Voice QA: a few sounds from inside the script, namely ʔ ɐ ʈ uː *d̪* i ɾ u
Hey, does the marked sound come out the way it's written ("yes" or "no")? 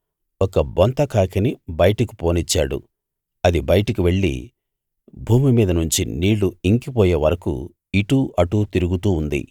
no